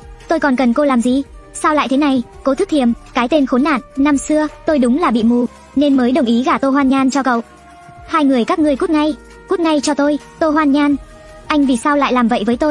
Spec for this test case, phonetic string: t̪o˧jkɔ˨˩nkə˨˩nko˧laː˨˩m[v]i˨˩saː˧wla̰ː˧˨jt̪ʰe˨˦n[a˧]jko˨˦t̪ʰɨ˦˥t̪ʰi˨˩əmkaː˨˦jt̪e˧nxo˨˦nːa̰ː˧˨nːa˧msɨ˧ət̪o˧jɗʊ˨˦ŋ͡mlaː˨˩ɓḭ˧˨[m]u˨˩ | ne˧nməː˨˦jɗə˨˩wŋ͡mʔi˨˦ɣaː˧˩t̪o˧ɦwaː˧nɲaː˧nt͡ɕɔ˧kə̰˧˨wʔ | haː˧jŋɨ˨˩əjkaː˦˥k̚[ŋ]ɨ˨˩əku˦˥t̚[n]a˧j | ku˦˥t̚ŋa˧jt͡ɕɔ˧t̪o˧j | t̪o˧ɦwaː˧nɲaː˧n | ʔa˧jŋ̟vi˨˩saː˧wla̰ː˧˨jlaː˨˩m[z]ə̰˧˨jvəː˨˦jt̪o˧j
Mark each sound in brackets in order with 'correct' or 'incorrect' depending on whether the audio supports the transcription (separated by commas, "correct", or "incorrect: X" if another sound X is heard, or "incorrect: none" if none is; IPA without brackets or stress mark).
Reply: incorrect: z, incorrect: a˨˩, correct, correct, incorrect: ŋ, incorrect: v